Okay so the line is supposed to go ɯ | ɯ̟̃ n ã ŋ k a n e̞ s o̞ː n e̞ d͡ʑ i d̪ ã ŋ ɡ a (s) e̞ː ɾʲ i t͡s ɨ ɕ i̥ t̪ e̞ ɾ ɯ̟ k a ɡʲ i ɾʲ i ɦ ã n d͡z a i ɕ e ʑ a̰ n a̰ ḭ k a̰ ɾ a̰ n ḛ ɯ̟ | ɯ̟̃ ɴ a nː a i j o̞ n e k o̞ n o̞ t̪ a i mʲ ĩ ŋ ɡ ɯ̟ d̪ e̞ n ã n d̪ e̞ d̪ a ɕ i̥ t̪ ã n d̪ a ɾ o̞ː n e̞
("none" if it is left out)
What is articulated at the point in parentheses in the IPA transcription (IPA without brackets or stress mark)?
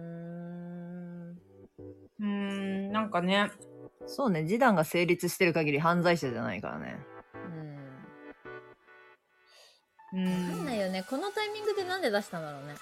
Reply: s